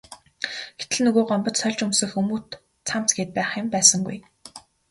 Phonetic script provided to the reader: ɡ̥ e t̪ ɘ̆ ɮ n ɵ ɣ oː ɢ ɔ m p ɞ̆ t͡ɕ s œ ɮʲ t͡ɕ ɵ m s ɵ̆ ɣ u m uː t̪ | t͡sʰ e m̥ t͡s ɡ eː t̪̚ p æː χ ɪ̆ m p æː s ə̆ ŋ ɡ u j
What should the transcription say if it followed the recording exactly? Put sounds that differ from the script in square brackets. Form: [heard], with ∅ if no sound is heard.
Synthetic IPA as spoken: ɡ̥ e t̪ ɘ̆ ɮ n ɵ ɣ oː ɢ ɔ m p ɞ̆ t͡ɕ s œ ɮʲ t͡ɕ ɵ m s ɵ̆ [x] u m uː t̪ | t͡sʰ [a] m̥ t͡s ɡ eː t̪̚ p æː χ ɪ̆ m p æː s ə̆ ŋ ɡ u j